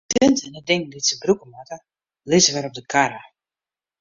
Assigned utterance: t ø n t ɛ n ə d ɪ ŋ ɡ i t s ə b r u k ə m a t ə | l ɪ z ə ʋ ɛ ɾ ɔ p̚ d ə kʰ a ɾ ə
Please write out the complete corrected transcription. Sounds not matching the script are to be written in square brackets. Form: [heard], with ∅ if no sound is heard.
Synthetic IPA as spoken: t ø n t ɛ n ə d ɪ ŋ [d] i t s ə b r u k ə m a t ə | l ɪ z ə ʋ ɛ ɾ ɔ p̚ d ə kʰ a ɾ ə

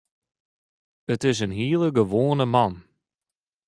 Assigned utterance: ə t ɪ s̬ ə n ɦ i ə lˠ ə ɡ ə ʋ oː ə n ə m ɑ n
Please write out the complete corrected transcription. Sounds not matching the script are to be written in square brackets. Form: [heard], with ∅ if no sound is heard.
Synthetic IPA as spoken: ə t ɪ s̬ ə n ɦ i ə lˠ ə ɡ ə ʋ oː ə n ə m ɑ n

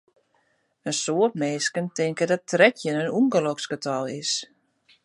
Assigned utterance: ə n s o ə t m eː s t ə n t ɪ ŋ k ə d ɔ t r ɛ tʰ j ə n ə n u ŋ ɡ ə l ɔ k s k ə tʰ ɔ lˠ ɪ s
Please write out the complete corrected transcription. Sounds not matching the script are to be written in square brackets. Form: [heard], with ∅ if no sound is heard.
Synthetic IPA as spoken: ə n s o ə t m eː s [k] ə n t ɪ ŋ k ə d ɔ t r ɛ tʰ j ə n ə n u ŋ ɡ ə l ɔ k s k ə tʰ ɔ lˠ ɪ s

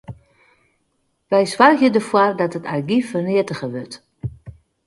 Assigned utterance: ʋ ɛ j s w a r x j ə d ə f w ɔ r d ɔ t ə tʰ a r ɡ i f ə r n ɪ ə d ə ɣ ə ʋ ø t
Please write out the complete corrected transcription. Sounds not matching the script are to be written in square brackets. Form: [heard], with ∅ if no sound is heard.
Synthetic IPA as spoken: ʋ ɛ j s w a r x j ə d ə f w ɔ r d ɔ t ə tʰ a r ɡ i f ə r n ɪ ə [t] ə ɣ ə ʋ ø t

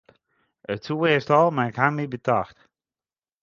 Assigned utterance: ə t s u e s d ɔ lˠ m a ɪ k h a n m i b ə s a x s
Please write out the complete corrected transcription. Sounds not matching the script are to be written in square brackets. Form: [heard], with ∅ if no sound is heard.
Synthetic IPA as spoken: ə t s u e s [t] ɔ lˠ m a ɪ k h a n m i b ə [t] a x [t]

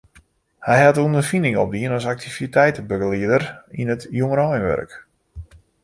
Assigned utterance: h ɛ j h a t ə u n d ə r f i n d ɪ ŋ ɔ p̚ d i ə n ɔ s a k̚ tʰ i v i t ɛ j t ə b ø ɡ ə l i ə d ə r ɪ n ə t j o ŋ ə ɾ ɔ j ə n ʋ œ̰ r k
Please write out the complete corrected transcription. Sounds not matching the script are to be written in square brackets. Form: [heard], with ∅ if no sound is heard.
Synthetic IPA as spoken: h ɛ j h a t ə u n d ə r f i n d ɪ ŋ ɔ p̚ d i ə n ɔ s a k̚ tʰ i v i t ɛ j t ə b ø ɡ ə l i ə d ə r [i] n ə t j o ŋ ə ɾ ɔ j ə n ʋ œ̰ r k

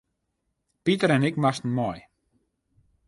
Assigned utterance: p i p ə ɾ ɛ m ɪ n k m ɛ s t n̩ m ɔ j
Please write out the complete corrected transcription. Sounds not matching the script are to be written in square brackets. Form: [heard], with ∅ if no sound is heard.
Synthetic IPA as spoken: p i [t] ə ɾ ɛ [n] ɪ [∅] k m [a] s t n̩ m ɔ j

